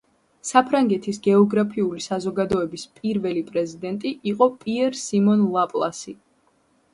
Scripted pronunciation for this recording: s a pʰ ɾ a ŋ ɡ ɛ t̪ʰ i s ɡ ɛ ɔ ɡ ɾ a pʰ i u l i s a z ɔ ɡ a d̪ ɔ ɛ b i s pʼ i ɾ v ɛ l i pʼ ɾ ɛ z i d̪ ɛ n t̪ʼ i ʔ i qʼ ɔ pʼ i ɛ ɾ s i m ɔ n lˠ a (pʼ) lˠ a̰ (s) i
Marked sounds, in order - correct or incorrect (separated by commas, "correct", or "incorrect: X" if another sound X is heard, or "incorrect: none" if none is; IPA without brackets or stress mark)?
correct, correct